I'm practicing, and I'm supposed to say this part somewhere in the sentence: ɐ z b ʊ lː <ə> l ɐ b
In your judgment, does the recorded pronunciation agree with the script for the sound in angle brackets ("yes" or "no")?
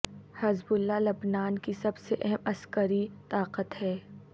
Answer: no